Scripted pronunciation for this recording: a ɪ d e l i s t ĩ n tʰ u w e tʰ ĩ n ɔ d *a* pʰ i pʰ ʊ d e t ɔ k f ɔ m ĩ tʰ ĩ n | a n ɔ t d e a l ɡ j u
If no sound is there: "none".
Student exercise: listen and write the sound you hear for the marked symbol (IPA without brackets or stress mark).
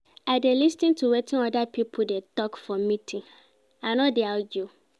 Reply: a